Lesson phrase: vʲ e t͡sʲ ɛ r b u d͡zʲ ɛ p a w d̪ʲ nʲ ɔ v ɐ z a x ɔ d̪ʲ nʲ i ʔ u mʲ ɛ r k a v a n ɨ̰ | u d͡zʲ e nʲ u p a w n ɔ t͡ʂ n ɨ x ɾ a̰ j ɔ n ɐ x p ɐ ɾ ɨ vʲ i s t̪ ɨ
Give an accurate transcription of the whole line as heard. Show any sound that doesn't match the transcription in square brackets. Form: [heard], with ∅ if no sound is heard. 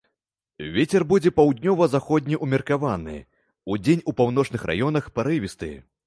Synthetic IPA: vʲ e t͡sʲ ɛ r b u d͡zʲ ɛ p a w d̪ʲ nʲ ɔ v ɐ z a x ɔ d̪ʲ nʲ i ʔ u mʲ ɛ r k a v a n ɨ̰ | u d͡zʲ e nʲ u p a w n ɔ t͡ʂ n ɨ x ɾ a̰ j ɔ n ɐ x p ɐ ɾ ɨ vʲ i s t̪ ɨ